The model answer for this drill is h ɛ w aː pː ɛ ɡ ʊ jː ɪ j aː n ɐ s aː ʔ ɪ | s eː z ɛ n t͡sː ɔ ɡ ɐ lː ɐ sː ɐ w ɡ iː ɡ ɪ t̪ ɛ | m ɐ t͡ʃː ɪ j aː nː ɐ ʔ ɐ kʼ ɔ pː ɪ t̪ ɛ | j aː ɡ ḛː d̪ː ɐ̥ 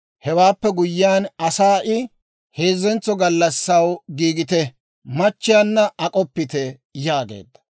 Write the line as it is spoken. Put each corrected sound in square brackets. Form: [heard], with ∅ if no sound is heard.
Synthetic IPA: h ɛ w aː pː ɛ ɡ ʊ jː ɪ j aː n ɐ s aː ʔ ɪ | [h] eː z ɛ n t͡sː ɔ ɡ ɐ lː ɐ sː ɐ w ɡ iː ɡ ɪ t̪ ɛ | m ɐ t͡ʃː ɪ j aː nː ɐ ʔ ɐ kʼ ɔ pː ɪ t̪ ɛ | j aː ɡ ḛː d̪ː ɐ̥